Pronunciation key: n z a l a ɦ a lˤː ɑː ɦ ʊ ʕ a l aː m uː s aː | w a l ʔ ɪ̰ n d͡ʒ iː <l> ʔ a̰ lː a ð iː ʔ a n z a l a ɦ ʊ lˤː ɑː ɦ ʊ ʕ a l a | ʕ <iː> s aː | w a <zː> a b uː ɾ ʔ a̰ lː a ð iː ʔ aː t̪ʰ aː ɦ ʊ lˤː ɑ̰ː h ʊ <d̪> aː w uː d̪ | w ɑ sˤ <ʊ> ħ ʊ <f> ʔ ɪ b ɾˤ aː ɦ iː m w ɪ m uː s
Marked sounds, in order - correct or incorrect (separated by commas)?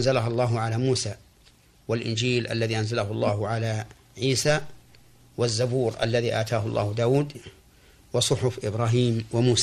correct, correct, correct, correct, correct, correct